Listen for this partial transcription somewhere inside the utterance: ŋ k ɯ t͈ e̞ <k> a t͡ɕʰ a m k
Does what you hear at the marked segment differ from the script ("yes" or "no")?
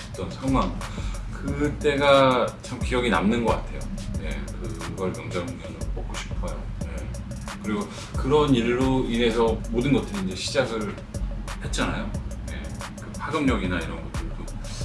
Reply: yes